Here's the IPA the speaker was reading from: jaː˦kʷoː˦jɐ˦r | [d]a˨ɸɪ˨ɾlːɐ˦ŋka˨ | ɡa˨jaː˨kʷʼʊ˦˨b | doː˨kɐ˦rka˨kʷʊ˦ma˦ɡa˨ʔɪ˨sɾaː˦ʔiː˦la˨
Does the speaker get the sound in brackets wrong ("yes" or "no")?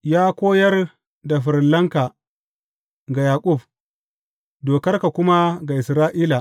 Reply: no